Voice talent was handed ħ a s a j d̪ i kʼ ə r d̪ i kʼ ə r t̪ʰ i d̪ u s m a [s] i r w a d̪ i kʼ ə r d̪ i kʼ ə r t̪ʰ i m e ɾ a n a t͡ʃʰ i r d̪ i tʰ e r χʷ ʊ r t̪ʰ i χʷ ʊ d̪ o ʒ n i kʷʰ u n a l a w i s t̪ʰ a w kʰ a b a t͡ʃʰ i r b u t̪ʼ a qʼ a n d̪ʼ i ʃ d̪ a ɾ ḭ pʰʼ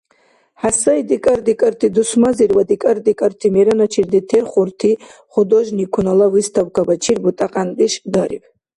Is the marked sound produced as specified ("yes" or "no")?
no